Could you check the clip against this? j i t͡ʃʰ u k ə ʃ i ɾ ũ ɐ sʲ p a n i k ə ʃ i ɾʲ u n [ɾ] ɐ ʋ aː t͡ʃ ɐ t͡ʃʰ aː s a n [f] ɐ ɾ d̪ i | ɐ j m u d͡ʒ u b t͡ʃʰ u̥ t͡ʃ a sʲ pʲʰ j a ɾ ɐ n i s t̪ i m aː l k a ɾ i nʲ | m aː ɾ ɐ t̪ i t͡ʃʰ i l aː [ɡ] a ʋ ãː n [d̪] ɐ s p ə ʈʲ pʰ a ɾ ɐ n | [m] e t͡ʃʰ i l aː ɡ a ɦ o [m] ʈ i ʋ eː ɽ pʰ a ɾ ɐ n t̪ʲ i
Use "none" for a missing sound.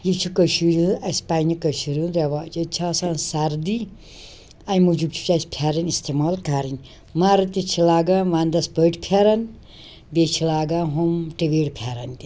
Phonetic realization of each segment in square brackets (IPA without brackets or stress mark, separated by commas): ɾ, s, ɡ, d̪, b, m